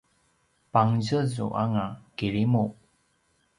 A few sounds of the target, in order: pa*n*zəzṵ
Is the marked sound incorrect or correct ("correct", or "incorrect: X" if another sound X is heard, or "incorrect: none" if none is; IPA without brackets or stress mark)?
incorrect: ŋ